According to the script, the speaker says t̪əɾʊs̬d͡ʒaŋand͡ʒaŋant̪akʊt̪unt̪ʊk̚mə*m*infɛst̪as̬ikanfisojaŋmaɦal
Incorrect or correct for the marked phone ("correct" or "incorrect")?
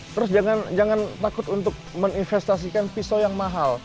incorrect